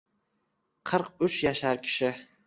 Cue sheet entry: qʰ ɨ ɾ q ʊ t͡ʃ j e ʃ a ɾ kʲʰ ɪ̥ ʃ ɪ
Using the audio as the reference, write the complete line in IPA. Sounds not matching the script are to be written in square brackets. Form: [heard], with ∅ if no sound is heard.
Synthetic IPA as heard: qʰ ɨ ɾ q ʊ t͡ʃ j [a] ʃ a ɾ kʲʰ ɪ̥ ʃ ɪ